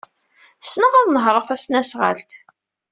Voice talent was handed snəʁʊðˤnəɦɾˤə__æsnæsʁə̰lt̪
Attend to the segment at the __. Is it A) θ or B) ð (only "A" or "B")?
A